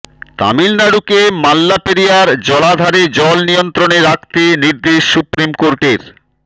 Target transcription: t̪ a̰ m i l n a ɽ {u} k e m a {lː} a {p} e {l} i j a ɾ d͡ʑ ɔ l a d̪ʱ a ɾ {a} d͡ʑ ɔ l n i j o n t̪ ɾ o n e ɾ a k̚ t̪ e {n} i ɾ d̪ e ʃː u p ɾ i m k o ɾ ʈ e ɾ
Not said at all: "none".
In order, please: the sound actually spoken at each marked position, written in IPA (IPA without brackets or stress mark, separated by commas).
u, lː, p, ɾ, e, n